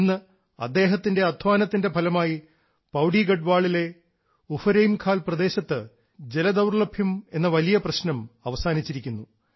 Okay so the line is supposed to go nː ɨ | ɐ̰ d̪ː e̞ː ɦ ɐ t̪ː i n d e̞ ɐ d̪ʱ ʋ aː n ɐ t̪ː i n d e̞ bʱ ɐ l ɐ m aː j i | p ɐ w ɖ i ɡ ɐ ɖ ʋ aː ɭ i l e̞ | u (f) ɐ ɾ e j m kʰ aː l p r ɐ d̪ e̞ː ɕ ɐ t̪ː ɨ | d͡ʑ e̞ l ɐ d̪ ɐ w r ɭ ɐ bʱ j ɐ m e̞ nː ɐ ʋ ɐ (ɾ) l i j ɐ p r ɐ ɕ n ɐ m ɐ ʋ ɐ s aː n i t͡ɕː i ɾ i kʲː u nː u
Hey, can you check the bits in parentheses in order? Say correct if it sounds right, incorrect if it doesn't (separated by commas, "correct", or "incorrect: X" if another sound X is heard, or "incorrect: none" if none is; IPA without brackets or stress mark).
correct, incorrect: none